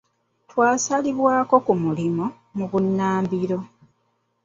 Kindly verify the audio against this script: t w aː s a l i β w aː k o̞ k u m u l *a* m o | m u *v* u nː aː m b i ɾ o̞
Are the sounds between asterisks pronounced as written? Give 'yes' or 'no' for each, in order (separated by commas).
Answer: no, no